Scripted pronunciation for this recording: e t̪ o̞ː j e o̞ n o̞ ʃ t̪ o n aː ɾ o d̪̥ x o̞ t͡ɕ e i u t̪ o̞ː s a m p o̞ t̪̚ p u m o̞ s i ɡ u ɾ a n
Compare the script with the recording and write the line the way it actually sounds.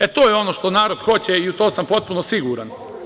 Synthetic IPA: e t̪ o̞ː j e o̞ n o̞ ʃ t̪ o n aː ɾ o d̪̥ x o̞ t͡ɕ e i u t̪ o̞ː s a m p o̞ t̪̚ p u n o̞ s i ɡ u ɾ a n

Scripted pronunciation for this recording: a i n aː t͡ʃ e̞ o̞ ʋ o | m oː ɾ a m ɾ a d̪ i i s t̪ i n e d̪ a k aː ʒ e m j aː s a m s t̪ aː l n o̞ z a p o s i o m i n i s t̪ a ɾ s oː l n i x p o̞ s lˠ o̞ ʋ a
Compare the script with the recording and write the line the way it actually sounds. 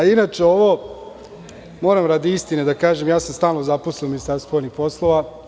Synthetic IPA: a i n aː t͡ʃ e̞ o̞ ʋ o | m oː ɾ a m ɾ a d̪ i i s t̪ i n e d̪ a k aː ʒ e m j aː s a m s t̪ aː l n o̞ z a p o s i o m i n i s t̪ a ɾ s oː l n i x p o̞ s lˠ o̞ ʋ a

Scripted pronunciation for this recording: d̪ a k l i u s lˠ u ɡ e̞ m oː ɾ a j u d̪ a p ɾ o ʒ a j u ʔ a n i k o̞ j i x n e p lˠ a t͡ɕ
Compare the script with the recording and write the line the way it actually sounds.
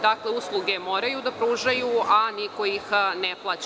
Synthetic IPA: d̪ a k l e u s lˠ u ɡ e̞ m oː ɾ a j u d̪ a p ɾ u ʒ a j u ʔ a n i k o̞ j i x n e p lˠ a t͡ɕ

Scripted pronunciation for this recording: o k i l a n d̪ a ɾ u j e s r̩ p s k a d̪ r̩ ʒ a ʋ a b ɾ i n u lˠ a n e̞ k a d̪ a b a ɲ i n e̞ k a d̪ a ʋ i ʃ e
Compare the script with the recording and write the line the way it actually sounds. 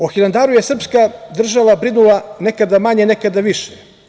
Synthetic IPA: o x i l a n d̪ a ɾ u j e s r̩ p s k a d̪ r̩ ʒ a ʋ a b ɾ i n u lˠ a n e̞ k a d̪ a m a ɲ e n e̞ k a d̪ a ʋ i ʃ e

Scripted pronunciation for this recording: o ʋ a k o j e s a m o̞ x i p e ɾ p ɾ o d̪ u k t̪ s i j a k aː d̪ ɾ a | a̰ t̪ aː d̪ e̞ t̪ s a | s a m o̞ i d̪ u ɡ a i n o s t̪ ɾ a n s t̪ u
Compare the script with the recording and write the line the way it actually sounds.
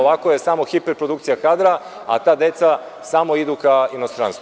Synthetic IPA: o ʋ a k o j e s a m o̞ x i p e ɾ p ɾ o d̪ u k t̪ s i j a k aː d̪ ɾ a | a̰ t̪ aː d̪ e̞ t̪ s a | s a m o̞ i d̪ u k a i n o s t̪ ɾ a n s t̪ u

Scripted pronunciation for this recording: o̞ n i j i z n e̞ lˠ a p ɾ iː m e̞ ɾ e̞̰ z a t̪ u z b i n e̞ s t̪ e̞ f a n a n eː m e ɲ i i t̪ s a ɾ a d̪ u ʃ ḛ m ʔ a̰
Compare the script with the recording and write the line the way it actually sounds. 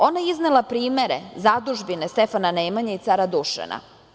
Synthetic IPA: o̞ n a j i z n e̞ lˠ a p ɾ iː m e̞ ɾ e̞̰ z a d̪ u ʒ b i n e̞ s t̪ e̞ f a n a n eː m a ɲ a i t̪ s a ɾ a d̪ u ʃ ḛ n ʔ a̰

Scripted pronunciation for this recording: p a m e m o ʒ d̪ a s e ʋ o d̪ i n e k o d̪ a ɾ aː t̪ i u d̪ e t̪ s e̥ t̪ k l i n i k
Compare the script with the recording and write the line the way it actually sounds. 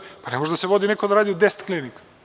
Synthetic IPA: p a n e m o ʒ d̪ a s e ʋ o d̪ i n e k o d̪ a ɾ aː d̪ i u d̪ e s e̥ t̪ k l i n i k

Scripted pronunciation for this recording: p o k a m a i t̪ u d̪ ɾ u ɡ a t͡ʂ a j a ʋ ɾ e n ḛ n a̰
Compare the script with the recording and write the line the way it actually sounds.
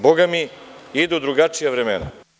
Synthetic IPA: b o ɡ a m i i d̪ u d̪ ɾ u ɡ a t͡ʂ i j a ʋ ɾ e m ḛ n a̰

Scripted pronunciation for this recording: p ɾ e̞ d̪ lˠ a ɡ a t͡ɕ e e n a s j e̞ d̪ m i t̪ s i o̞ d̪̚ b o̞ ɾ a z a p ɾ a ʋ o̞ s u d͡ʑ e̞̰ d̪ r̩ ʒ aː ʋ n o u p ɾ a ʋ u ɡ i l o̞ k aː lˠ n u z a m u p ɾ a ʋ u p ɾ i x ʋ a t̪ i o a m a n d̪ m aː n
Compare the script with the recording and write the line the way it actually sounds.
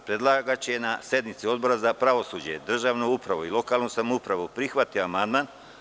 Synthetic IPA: p ɾ e̞ d̪ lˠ a ɡ a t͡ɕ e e n a s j e̞ d̪ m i t̪ s i o̞ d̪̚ b o̞ ɾ a z a p ɾ a ʋ o̞ s u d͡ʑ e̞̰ d̪ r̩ ʒ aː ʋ n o u p ɾ a ʋ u i l o̞ k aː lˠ n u s a m u p ɾ a ʋ u p ɾ i x ʋ a t̪ i o a m a n d̪ m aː n

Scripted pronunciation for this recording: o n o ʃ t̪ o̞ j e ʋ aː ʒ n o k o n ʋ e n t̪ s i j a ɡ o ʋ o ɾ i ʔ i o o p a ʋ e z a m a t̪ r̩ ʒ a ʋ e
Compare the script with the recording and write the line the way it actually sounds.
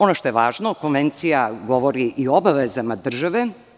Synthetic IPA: o n o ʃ t̪ o̞ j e ʋ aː ʒ n o k o n ʋ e n t̪ s i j a ɡ o ʋ o ɾ i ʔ i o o b a ʋ e z a m a d̪ r̩ ʒ a ʋ e

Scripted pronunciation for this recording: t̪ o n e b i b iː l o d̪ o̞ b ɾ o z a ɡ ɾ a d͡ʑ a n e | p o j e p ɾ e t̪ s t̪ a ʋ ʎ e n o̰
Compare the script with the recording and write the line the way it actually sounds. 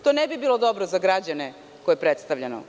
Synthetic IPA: t̪ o n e b i b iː l o d̪ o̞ b ɾ o z a ɡ ɾ a d͡ʑ a n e | k o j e p ɾ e t̪ s t̪ a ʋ ʎ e n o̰

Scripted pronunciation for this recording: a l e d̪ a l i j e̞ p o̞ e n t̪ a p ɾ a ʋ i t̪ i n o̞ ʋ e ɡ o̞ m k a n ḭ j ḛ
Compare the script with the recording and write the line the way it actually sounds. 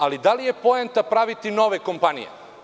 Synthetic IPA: a l i d̪ a l i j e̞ p o̞ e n t̪ a p ɾ a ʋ i t̪ i n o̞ ʋ e k o̞ m p a n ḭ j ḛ

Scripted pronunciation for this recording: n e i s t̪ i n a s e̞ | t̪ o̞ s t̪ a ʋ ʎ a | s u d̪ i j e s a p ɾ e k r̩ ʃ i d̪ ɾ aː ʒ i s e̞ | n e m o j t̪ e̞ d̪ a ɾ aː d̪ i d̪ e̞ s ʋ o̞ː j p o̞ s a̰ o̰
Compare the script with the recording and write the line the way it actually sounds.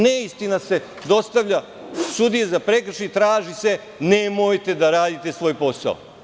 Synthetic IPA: n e i s t̪ i n a s e̞ | d̪ o̞ s t̪ a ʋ ʎ a | s u d̪ i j e z a p ɾ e k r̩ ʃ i t̪ ɾ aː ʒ i s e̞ | n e m o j t̪ e̞ d̪ a ɾ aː d̪ i t̪ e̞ s ʋ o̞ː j p o̞ s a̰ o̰

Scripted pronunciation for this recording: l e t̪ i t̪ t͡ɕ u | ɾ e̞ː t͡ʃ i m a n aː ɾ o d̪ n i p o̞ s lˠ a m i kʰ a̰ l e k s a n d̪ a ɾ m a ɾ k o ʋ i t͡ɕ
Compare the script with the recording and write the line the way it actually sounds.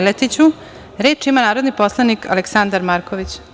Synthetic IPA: l e t̪ i t͡ɕ u | ɾ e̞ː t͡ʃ i m a n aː ɾ o d̪ n i p o̞ s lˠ a n i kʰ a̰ l e k s a n d̪ a ɾ m a ɾ k o ʋ i t͡ɕ

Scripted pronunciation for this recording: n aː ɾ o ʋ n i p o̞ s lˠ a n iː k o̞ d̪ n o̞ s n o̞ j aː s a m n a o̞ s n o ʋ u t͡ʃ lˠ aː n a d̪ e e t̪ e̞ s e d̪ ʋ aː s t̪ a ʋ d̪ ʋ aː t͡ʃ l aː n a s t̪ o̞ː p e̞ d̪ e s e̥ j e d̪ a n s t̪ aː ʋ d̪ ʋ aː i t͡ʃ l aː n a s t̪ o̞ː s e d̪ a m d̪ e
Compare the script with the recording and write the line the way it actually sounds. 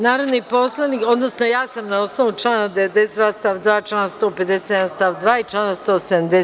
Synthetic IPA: n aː ɾ o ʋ n i p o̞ s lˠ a n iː k o̞ d̪ n o̞ s n o̞ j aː s a m n a o̞ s n o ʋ u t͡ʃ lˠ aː n a d̪ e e d̪ e̞ s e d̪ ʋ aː s t̪ a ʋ d̪ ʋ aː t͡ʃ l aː n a s t̪ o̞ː p e̞ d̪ e s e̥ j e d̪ a n s t̪ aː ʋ d̪ ʋ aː i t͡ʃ l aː n a s t̪ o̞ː s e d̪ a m d̪ e

